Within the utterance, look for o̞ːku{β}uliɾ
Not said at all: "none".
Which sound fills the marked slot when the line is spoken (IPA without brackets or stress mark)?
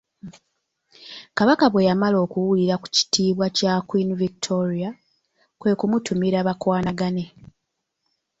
w